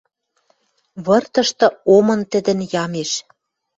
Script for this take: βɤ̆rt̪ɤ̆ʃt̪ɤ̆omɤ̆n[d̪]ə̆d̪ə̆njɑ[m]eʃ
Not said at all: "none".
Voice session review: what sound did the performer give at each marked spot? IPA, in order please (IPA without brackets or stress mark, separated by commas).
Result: t̪, m